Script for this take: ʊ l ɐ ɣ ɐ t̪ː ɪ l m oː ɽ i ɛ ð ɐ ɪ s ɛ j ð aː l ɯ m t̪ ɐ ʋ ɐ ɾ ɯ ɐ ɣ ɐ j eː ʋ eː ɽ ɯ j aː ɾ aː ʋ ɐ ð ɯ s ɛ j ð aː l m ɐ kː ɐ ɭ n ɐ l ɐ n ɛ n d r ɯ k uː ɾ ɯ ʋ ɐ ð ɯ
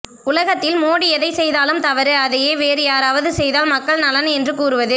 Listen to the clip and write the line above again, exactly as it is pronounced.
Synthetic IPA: ʊ l ɐ ɣ ɐ t̪ː ɪ l m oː ɽ i ɛ ð ɐ ɪ s ɛ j ð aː l ɯ m t̪ ɐ ʋ ɐ ɾ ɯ ɐ ð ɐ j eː ʋ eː ɾ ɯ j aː ɾ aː ʋ ɐ ð ɯ s ɛ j ð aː l m ɐ kː ɐ ɭ n ɐ l ɐ n ɛ n d r ɯ k uː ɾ ɯ ʋ ɐ ð ɯ

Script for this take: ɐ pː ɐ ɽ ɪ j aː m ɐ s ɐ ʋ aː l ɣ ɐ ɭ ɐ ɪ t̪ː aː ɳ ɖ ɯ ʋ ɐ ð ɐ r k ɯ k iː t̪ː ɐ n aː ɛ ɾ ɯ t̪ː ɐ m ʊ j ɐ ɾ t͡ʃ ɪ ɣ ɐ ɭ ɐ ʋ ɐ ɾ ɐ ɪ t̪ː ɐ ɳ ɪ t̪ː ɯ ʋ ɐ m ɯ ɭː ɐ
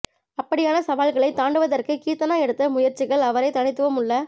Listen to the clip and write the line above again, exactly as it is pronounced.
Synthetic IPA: ɐ pː ɐ ɽ ɪ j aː n ɐ s ɐ ʋ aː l ɣ ɐ ɭ ɐ ɪ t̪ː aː ɳ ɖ ɯ ʋ ɐ ð ɐ r k ɯ k iː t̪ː ɐ n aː ɛ ɽ ɯ t̪ː ɐ m ʊ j ɐ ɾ t͡ʃ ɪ ɣ ɐ ɭ ɐ ʋ ɐ ɾ ɐ ɪ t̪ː ɐ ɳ ɪ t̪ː ɯ ʋ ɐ m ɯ ɭː ɐ

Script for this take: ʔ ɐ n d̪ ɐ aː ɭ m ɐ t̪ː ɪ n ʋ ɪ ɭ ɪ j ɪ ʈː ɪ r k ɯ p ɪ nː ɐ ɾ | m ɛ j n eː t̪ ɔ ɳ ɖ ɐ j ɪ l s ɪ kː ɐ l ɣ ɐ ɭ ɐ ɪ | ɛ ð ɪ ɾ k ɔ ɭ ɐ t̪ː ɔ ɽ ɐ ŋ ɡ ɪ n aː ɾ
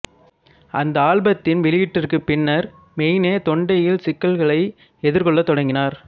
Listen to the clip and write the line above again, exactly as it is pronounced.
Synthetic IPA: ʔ ɐ n d̪ ɐ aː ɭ b ɐ t̪ː ɪ n ʋ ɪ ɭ ɪ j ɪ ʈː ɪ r k ɯ p ɪ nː ɐ ɾ | m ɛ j n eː t̪ ɔ ɳ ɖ ɐ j ɪ l s ɪ kː ɐ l ɣ ɐ ɭ ɐ ɪ | ɛ ð ɪ ɾ k ɔ ɭː ɐ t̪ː ɔ ɽ ɐ ŋ ɡ ɪ n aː ɾ

